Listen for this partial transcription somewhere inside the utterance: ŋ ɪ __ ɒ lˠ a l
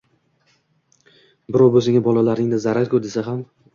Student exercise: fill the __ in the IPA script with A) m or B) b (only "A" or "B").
B